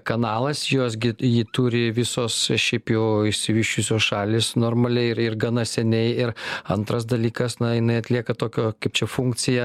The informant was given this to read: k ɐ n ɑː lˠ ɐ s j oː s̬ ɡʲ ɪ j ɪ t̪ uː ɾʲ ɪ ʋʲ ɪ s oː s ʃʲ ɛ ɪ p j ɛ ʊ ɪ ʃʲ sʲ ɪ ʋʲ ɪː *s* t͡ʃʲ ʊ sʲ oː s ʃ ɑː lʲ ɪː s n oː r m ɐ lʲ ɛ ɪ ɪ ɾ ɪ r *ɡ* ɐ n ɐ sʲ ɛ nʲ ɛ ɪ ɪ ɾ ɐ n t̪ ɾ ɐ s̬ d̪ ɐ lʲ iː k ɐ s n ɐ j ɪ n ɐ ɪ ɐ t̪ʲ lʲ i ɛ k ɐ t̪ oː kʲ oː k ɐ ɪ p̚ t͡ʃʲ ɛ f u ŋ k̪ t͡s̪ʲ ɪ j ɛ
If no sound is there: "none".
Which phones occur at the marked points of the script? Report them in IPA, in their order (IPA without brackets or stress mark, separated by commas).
ʃ, ɡ